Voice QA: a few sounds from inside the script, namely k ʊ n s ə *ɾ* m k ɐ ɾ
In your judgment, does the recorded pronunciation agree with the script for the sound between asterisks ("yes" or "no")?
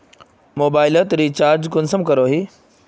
no